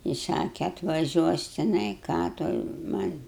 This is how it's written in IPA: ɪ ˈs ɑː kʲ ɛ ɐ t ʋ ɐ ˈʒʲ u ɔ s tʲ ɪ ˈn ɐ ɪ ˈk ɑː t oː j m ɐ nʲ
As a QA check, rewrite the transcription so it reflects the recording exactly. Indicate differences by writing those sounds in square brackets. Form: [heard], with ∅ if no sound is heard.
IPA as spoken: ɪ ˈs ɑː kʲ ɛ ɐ t ʋ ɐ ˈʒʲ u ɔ s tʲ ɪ ˈn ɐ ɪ ˈk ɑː t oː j m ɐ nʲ